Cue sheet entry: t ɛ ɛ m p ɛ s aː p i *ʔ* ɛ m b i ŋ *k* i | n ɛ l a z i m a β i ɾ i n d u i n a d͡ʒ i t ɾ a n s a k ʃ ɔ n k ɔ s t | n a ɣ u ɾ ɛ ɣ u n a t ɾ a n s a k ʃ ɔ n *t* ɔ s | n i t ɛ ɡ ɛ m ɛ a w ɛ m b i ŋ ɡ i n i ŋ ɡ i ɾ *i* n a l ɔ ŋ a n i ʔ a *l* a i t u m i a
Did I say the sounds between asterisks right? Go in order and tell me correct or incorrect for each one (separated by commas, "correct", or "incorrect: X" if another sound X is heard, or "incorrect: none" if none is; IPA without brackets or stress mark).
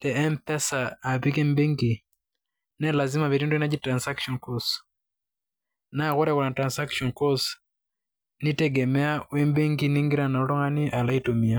incorrect: k, incorrect: ɡ, incorrect: k, incorrect: a, correct